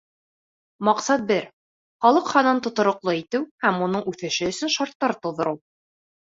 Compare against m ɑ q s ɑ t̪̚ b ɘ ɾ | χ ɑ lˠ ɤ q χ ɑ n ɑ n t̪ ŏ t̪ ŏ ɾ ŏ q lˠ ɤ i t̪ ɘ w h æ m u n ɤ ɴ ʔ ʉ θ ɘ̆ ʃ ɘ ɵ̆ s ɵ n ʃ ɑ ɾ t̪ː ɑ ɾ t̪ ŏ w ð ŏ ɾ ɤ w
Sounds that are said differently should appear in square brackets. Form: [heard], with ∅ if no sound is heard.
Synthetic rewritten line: m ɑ q s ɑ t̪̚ b ɘ ɾ | χ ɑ lˠ ɤ q χ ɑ n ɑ n t̪ ŏ t̪ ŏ ɾ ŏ q lˠ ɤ i t̪ ɘ w h æ m u n ɤ ɴ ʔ ʉ θ ɘ̆ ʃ ɘ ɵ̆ s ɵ n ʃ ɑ ɾ t̪ː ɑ ɾ t̪ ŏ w ð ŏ ɾ ɤ w